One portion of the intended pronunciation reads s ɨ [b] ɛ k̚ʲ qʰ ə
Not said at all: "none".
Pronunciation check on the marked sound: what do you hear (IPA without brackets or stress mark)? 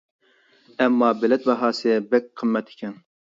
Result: b